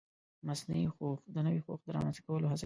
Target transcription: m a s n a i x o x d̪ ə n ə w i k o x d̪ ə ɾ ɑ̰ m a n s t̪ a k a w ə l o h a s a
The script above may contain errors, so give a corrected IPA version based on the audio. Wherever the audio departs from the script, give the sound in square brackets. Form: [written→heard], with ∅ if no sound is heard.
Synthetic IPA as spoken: m a s n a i x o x d̪ ə n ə w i [k→x] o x d̪ ə ɾ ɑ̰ m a n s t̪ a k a w ə l o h a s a